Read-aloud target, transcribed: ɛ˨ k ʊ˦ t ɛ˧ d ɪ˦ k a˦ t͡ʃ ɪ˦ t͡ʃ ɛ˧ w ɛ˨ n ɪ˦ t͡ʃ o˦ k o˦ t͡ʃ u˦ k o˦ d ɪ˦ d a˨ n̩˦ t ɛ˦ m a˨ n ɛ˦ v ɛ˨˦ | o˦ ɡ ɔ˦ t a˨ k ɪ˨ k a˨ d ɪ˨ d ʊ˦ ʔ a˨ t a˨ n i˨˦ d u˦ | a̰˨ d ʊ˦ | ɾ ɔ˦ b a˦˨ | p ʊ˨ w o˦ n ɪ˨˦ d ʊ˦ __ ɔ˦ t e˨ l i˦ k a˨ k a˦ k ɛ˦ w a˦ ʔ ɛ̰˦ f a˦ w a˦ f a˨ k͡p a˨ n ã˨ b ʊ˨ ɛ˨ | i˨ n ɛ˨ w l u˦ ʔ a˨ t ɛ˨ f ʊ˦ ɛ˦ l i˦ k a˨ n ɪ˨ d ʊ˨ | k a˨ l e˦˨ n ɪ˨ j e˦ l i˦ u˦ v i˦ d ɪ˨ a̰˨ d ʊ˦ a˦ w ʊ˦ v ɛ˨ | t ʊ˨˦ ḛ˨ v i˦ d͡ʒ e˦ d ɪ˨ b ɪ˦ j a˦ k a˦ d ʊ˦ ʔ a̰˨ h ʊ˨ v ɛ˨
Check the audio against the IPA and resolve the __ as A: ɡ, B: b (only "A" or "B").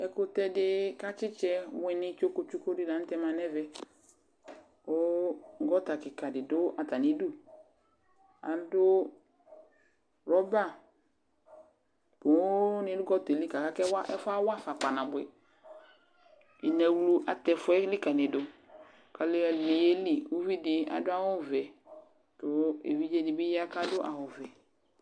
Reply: A